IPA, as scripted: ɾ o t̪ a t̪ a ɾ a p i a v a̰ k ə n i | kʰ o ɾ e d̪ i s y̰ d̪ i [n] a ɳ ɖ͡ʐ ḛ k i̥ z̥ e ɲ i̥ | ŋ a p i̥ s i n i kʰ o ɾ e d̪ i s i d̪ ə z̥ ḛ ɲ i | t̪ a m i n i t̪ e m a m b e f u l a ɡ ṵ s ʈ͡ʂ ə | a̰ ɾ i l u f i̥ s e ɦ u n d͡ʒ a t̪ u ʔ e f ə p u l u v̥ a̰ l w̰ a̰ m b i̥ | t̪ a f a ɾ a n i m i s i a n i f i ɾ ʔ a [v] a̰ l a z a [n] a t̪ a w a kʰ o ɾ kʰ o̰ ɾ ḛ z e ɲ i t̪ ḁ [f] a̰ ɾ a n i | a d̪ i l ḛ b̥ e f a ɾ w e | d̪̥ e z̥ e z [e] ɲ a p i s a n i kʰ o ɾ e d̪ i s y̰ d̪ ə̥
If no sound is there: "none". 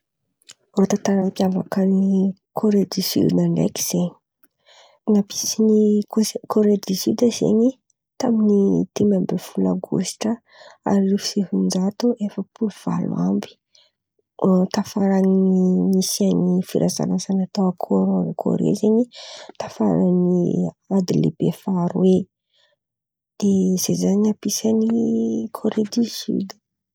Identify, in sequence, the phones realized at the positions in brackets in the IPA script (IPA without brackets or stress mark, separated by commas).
n, z, n, f, a